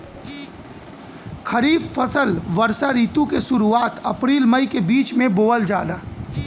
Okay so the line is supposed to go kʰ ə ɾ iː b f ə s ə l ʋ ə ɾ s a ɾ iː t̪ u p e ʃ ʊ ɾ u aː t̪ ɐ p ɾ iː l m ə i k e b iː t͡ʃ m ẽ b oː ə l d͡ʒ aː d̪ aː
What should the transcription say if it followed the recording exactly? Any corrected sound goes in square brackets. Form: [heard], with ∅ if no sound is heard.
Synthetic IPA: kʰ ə ɾ iː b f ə s ə l ʋ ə ɾ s a ɾ iː t̪ u [k] e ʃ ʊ ɾ u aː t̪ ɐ p ɾ iː l m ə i k e b iː t͡ʃ m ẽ b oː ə l d͡ʒ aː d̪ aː